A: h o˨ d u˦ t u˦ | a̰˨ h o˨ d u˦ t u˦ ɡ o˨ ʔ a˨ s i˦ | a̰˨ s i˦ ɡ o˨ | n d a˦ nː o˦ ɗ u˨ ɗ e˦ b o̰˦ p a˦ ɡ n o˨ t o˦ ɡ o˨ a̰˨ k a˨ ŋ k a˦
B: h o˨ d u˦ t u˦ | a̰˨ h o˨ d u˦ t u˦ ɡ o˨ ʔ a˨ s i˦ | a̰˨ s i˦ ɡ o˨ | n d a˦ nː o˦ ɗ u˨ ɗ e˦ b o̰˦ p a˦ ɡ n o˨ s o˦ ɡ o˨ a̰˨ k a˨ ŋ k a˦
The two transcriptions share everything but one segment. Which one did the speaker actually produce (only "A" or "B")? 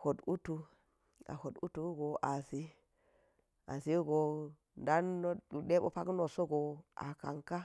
B